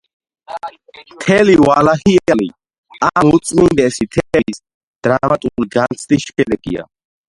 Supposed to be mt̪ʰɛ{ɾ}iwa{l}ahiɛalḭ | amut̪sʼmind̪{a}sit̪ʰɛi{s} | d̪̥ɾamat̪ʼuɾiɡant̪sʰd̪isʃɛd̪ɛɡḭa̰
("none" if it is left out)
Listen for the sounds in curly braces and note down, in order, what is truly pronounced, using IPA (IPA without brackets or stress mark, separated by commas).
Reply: l, l, ɛ, s